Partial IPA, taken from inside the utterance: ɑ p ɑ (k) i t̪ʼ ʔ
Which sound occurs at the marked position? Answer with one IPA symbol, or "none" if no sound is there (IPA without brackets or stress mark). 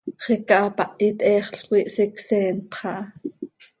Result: ʔ